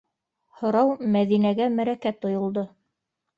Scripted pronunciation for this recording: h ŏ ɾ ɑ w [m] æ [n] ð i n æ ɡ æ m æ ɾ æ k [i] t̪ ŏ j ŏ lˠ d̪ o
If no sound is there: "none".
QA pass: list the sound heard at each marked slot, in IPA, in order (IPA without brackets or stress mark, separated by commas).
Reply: m, none, æ